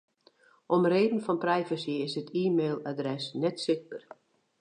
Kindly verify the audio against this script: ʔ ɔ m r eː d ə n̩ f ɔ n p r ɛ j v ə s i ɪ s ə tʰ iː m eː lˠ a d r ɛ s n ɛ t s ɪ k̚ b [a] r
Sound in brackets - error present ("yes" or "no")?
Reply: yes